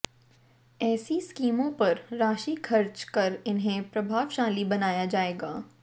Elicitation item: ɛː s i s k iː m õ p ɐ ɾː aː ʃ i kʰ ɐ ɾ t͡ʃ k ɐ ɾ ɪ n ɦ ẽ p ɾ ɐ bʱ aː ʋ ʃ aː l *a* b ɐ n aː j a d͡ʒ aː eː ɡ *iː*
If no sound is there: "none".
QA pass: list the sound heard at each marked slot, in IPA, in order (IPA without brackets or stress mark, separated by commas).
i, aː